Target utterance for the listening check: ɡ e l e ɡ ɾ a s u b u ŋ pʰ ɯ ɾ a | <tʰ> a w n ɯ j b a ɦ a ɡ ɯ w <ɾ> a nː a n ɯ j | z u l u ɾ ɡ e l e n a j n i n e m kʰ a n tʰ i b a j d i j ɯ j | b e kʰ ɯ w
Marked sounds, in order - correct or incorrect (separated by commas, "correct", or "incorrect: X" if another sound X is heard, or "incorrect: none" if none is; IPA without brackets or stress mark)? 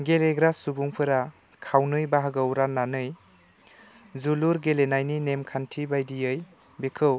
incorrect: kʰ, correct